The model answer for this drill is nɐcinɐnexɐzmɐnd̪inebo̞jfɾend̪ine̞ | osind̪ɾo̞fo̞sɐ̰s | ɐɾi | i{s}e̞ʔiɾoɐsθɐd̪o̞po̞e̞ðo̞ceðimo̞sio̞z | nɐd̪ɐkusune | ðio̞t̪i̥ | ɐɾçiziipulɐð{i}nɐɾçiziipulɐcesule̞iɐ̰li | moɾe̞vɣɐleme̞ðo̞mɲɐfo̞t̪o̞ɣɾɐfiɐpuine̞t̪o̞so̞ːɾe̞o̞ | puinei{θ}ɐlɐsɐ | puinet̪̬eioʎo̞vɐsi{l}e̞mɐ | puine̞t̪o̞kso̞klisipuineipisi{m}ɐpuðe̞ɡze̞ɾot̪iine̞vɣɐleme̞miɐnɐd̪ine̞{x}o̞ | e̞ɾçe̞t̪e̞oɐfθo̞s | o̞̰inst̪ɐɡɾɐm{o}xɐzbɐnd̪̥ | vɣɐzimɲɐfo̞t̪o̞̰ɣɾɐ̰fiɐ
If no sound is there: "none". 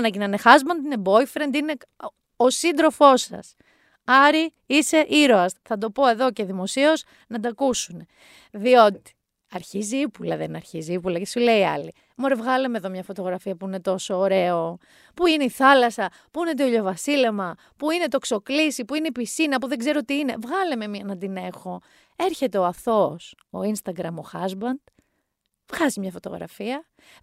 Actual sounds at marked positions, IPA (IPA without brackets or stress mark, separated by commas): s, e, θ, l, n, x, o